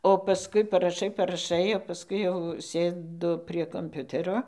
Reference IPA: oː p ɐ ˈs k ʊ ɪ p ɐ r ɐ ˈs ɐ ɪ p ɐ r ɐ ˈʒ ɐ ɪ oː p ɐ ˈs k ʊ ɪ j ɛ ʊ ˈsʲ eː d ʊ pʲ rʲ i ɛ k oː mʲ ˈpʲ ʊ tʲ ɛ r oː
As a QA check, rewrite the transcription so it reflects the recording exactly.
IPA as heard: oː p ɐ ˈs k ʊ ɪ p ɐ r ɐ ˈʃ ɐ ɪ p ɐ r ɐ ˈʃ ɐ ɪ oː p ɐ ˈs k ʊ ɪ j ɛ ʊ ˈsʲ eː d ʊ pʲ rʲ i ɛ k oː mʲ ˈpʲ ʊ tʲ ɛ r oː